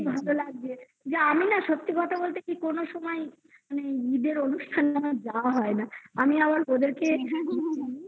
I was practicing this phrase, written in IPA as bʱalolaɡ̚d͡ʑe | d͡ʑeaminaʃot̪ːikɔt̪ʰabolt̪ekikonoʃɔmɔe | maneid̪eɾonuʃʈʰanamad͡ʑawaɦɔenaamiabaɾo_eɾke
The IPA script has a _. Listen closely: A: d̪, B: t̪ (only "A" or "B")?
A